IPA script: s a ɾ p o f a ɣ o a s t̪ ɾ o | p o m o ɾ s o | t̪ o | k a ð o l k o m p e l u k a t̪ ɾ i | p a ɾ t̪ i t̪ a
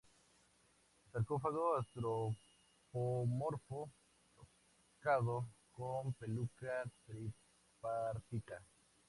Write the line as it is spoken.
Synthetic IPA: s a ɾ k o f a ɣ o a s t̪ ɾ o | p o m o ɾ f o | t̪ o | k a ð o k o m p e l u k a t̪ ɾ i | p a ɾ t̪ i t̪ a